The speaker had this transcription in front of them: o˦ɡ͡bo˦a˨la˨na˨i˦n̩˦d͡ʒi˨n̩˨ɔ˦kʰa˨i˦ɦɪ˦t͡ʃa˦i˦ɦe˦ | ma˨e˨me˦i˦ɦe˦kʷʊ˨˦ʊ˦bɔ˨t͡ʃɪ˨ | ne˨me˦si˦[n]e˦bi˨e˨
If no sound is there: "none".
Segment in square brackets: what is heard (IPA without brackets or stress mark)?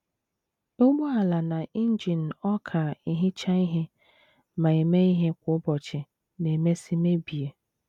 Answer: m